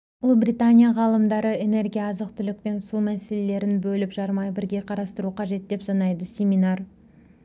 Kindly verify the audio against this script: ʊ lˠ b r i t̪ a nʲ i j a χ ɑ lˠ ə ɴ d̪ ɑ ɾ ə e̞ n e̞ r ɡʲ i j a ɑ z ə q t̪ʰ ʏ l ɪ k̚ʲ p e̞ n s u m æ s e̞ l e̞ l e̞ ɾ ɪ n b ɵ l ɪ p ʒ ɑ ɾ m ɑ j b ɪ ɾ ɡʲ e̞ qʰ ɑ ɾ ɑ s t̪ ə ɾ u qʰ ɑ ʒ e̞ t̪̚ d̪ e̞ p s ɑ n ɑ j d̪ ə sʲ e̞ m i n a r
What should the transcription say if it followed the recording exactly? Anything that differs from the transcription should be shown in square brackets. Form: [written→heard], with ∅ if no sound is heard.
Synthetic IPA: ʊ lˠ b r i t̪ a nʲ i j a [χ→ʁ] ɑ lˠ ə [ɴ→m] d̪ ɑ ɾ ə e̞ n e̞ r ɡʲ i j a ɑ z ə q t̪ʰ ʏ l ɪ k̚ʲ p e̞ n s u m æ s e̞ l e̞ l e̞ ɾ ɪ n b ɵ l ɪ p ʒ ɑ ɾ m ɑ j b ɪ ɾ ɡʲ e̞ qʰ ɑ ɾ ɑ s t̪ ə ɾ u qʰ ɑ ʒ e̞ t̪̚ d̪ e̞ p s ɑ n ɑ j d̪ ə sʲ e̞ m i n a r